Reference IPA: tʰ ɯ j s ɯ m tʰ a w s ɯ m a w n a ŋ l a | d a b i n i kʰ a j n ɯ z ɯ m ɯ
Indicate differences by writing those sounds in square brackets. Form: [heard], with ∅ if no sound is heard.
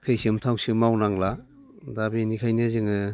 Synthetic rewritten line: tʰ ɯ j s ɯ m tʰ a w s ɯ m a w n a ŋ l a | d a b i n i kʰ a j n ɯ z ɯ [ŋ] ɯ